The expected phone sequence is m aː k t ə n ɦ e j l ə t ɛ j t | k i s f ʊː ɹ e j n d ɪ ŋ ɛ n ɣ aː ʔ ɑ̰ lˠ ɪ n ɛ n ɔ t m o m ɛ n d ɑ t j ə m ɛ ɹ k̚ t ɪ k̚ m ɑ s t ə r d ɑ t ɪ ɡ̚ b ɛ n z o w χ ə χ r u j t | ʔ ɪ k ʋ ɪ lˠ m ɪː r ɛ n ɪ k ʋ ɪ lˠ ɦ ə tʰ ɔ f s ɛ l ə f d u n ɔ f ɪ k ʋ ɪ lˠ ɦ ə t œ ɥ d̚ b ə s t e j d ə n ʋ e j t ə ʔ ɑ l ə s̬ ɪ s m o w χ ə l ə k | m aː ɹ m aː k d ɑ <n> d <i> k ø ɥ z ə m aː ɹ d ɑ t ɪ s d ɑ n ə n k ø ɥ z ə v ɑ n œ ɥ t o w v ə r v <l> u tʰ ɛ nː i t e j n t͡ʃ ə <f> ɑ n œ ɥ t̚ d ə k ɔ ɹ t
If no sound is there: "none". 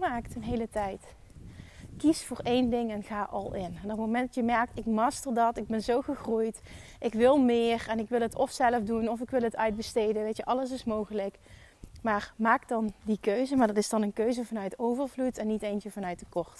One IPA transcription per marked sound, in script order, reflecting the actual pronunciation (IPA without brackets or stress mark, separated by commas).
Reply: n, i, l, v